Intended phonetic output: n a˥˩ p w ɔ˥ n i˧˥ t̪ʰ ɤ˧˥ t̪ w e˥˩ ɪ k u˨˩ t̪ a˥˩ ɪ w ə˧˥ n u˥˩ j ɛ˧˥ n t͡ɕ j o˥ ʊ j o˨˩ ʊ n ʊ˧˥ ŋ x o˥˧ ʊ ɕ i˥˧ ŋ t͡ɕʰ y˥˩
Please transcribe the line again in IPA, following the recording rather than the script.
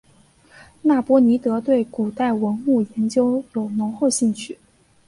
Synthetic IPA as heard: n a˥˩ p w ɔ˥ n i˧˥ t̪ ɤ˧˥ t̪ w e˥˩ ɪ k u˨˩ t̪ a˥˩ ɪ w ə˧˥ n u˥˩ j ɛ˧˥ n t͡ɕ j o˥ ʊ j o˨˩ ʊ n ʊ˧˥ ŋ x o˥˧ ʊ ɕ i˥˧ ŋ t͡ɕʰ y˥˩

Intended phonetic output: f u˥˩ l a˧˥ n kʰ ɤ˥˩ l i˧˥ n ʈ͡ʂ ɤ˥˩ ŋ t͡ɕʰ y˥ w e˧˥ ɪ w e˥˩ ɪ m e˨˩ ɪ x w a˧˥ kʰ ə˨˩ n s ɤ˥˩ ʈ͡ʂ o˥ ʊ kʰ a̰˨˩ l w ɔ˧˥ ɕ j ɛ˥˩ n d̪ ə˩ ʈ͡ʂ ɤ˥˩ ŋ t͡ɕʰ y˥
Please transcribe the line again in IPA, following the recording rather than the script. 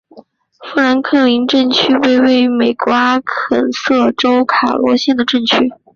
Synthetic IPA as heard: f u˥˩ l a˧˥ n kʰ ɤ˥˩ l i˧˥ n ʈ͡ʂ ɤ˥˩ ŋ t͡ɕʰ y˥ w e˥˧ ɪ w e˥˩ ɪ m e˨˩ ɪ k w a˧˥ kʰ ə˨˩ n s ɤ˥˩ ʈ͡ʂ o˥ ʊ kʰ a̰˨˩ l w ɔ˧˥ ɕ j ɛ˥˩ n d̪ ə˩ ʈ͡ʂ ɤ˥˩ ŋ t͡ɕʰ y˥

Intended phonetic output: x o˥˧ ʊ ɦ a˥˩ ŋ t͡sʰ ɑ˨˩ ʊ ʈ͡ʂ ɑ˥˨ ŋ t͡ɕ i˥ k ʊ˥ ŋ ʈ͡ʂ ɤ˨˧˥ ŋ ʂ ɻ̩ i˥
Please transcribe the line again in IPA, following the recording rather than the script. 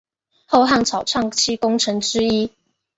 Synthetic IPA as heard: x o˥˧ ʊ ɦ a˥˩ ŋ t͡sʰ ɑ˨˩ ʊ ʈ͡ʂʰ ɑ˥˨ ŋ t͡ɕʰ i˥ k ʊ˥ ŋ ʈ͡ʂʰ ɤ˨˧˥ ŋ ʈ͡ʂ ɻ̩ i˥

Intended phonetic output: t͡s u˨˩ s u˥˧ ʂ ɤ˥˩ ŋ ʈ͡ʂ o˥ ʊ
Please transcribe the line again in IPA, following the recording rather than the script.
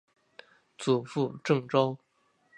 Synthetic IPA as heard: t͡s u˨˩ f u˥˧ ʈ͡ʂ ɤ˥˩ ŋ ʈ͡ʂ o˥ ʊ

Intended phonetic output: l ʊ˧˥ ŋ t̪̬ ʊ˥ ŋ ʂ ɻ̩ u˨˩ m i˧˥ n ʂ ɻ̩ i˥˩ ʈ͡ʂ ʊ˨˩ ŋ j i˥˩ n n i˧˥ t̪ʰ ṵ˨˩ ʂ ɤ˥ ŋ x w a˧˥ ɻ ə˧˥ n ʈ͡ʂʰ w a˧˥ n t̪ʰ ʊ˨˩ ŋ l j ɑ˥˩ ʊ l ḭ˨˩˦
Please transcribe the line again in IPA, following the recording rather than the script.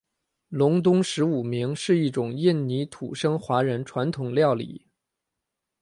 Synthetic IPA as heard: l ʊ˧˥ ŋ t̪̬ ʊ˥ ŋ ʂ ɻ̩ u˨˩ m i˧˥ ŋ ʂ ɻ̩ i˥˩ ʈ͡ʂ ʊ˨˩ ŋ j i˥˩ n n i˧˥ t̪ʰ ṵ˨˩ ʂ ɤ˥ ŋ x w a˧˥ ɻ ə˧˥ n ʈ͡ʂʰ w a˧˥ n t̪ʰ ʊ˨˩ ŋ l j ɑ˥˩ ʊ l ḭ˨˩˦

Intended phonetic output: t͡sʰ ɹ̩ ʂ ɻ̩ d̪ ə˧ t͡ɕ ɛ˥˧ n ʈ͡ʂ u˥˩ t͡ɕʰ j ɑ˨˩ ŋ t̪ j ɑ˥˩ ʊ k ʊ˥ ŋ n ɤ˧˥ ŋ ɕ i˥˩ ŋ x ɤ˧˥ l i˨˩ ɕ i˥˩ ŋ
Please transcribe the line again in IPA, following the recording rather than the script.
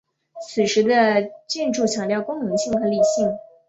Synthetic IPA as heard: t͡sʰ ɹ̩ ʂ ɻ̩ d̪ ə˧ t͡ɕ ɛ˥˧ n ʈ͡ʂ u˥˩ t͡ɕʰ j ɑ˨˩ ŋ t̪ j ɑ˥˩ ʊ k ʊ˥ ŋ n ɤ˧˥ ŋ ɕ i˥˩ ŋ x ɤ˧˥ l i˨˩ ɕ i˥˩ ŋ

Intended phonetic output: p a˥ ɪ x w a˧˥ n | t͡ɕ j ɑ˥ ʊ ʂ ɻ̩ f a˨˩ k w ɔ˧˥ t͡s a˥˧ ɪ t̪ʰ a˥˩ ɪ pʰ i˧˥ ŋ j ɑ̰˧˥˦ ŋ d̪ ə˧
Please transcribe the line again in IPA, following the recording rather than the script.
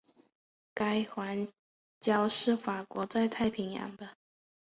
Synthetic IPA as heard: k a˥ ɪ x w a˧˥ n | t͡ɕ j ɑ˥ ʊ ʂ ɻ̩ f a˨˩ k w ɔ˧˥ t͡s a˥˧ ɪ t̪ʰ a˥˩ ɪ pʰ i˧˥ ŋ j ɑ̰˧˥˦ ŋ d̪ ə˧

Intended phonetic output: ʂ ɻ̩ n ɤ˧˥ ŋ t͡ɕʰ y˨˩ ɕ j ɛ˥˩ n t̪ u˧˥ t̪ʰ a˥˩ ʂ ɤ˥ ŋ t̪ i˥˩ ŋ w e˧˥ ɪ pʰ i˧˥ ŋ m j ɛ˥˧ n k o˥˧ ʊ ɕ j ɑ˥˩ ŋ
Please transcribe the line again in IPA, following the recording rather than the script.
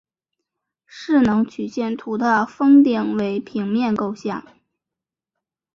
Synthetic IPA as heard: ʂ ɻ̩ n ɤ˧˥ ŋ t͡ɕʰ y˨˩ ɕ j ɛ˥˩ n t̪ʰ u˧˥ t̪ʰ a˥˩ f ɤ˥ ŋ t̪ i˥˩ ŋ w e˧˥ ɪ pʰ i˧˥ ŋ m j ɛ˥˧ n k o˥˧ ʊ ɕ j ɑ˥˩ ŋ

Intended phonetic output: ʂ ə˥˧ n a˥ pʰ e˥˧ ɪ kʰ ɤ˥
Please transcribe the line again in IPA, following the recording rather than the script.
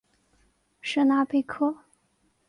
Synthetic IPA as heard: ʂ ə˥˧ n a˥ p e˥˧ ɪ kʰ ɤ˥

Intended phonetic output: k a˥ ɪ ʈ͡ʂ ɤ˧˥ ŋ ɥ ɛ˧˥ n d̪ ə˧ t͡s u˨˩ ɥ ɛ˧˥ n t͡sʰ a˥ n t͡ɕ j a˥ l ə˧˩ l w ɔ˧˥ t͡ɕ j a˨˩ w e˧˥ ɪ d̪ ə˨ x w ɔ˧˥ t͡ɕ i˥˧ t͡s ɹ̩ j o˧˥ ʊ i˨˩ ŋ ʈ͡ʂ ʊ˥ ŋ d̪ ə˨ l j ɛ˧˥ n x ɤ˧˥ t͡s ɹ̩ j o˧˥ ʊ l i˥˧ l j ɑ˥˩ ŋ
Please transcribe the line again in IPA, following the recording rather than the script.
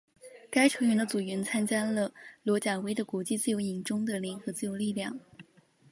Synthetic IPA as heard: k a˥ ɪ ʈ͡ʂʰ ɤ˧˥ ŋ ɥ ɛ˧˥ n d̪ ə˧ t͡s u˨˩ ɥ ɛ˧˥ n t͡sʰ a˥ n t͡ɕ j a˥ l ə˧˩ l w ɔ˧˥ t͡ɕ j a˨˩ w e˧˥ ɪ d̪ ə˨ k w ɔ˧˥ t͡ɕ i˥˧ t͡s ɹ̩ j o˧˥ ʊ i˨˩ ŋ ʈ͡ʂ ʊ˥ ŋ d̪ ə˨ l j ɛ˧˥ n x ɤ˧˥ t͡s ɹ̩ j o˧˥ ʊ l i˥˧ l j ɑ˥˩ ŋ

